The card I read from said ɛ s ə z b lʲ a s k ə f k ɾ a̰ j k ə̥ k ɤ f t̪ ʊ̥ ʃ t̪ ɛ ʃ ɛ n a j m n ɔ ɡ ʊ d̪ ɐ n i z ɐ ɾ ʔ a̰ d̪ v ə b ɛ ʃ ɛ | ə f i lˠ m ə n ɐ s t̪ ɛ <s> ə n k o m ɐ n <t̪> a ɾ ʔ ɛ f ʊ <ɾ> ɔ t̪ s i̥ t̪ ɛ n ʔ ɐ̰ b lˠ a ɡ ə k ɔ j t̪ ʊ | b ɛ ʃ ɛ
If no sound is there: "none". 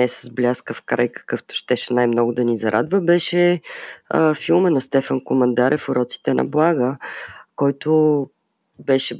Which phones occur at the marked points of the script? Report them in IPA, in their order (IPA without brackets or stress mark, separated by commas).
f, d̪, ɾ